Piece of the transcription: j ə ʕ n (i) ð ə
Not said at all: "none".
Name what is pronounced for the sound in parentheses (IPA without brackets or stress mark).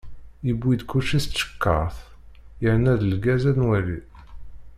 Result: æ